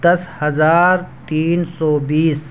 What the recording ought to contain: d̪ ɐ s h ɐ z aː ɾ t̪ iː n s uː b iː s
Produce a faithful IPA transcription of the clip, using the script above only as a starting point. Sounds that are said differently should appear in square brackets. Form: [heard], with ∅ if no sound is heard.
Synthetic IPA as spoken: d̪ ɐ s h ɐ z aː ɾ t̪ iː n s [ɔː] b iː s